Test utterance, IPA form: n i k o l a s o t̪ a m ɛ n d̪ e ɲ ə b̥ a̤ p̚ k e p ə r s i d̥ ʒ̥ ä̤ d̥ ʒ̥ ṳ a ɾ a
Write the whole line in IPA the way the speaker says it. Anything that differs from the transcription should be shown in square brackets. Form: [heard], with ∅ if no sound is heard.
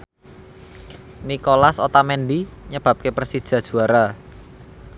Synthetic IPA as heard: n i k o l a s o t̪ a m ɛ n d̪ [i] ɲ ə b̥ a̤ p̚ k e p ə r s i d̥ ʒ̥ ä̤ d̥ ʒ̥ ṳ a ɾ a